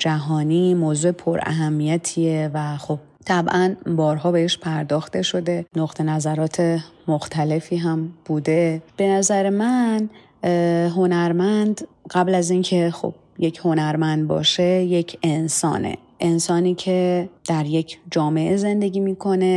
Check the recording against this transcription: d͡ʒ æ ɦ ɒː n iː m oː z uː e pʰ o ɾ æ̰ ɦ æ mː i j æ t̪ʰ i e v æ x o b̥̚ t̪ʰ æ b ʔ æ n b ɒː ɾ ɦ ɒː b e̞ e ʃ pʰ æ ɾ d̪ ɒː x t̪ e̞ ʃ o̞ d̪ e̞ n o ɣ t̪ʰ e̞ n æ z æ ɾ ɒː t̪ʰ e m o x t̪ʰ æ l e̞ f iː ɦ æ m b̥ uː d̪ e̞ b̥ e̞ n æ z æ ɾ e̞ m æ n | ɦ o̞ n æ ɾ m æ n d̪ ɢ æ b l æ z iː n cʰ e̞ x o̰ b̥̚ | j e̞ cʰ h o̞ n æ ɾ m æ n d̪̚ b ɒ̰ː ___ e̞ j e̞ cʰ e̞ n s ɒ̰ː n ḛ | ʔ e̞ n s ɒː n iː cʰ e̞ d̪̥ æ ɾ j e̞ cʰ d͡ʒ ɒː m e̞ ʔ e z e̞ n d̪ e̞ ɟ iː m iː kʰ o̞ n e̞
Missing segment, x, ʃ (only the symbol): ʃ